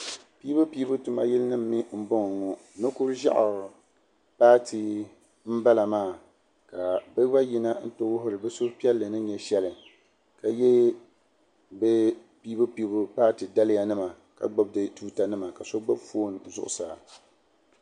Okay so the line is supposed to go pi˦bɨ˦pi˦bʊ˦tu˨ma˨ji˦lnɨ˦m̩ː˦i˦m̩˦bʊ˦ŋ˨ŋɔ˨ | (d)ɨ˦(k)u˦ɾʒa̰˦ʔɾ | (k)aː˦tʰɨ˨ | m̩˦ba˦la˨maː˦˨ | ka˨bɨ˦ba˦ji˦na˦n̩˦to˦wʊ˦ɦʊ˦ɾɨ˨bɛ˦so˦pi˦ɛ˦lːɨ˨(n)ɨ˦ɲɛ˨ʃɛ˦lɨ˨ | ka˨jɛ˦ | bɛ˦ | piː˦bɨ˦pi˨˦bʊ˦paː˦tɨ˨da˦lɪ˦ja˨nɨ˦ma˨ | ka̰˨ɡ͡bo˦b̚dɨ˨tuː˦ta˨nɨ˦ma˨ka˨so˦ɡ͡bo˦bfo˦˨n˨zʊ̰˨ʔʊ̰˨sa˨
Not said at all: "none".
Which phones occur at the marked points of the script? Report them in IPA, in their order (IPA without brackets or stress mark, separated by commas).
n, k, p, n